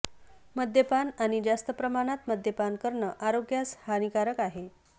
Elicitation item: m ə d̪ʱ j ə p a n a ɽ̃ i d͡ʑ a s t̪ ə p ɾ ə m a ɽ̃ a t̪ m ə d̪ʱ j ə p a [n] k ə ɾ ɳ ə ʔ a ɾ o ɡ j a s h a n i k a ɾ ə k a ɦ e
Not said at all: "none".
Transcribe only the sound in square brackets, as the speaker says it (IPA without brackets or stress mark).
n